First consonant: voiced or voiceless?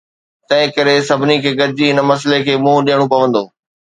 voiceless